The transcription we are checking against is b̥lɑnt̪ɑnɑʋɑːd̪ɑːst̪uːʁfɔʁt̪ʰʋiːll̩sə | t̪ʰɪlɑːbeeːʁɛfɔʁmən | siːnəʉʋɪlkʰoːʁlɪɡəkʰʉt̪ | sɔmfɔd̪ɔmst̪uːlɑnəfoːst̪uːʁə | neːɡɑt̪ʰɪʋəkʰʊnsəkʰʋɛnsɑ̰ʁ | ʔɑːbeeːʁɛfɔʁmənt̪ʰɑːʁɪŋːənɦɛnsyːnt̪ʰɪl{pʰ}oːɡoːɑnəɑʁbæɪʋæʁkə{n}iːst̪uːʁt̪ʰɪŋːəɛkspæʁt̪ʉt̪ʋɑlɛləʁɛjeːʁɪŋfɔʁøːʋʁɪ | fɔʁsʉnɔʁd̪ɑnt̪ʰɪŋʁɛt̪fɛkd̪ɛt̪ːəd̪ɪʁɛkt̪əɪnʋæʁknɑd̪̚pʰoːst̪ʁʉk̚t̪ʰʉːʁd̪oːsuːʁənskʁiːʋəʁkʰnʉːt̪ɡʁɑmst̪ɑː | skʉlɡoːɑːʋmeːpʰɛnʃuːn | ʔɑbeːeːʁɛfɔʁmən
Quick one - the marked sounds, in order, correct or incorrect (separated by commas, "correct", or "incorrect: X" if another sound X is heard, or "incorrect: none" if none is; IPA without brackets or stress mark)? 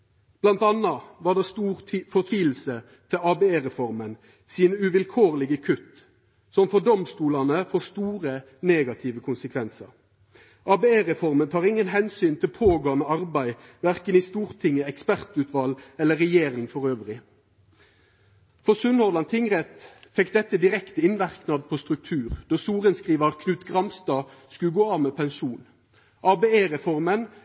correct, correct